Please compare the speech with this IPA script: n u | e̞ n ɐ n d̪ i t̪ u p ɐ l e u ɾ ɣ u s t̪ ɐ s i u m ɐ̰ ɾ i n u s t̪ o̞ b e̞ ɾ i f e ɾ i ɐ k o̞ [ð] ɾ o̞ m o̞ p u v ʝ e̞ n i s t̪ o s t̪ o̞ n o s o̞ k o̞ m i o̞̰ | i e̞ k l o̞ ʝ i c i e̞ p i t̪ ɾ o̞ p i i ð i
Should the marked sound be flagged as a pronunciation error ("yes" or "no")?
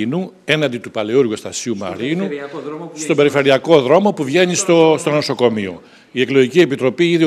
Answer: no